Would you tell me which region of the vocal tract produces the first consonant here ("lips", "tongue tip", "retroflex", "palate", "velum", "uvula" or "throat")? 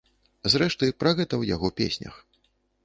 tongue tip